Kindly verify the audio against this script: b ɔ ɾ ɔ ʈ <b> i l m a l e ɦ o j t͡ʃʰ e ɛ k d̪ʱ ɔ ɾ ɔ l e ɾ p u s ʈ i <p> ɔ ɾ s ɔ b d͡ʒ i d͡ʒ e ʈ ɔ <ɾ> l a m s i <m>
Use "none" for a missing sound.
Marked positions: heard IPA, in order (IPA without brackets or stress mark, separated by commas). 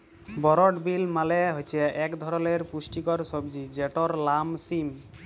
b, k, ɾ, m